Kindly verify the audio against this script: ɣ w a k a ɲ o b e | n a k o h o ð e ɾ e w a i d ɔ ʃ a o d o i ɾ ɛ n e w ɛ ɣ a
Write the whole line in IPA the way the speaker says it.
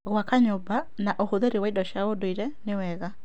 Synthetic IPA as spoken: ɣ w a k a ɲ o b a | n a ʔ o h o ð e ɾ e w a i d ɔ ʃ a o d o i ɾ ɛ n e w ɛ ɣ a